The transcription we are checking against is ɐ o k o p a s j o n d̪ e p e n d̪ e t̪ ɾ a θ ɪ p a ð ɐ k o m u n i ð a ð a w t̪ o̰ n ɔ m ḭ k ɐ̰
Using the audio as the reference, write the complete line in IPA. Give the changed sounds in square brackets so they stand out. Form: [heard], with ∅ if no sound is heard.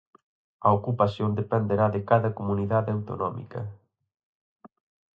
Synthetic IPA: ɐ o k [u] p a s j o n d̪ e p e n d̪ e [∅] ɾ a [ð] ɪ [k] a ð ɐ k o m u n i ð a ð a w t̪ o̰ n ɔ m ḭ k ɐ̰